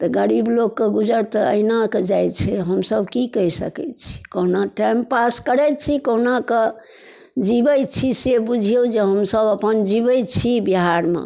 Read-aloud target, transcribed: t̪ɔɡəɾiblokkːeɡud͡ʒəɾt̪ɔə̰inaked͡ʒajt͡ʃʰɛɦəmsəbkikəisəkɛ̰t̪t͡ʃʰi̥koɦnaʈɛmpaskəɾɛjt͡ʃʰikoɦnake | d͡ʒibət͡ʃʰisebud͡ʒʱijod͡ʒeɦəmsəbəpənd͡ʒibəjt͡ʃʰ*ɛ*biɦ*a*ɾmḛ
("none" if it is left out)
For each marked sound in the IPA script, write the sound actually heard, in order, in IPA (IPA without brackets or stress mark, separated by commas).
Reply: i, a